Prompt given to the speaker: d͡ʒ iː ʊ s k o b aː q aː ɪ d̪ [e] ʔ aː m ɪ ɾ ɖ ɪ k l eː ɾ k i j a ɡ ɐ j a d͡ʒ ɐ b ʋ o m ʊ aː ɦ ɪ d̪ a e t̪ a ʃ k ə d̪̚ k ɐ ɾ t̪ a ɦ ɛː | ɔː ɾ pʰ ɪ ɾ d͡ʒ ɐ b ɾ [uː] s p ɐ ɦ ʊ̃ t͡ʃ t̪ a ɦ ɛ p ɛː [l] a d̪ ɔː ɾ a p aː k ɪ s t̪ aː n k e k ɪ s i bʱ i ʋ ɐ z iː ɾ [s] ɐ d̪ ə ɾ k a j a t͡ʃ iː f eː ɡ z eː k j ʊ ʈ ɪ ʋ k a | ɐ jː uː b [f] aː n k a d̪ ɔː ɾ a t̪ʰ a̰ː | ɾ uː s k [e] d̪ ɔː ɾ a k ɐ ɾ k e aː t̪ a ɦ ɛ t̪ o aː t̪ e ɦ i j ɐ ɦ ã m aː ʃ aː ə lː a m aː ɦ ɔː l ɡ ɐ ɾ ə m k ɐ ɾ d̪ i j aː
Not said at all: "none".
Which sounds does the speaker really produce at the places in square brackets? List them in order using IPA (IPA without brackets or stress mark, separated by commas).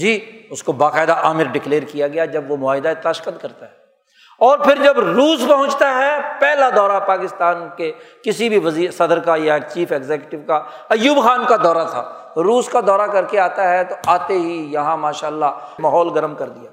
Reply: a, uː, l, s, x, a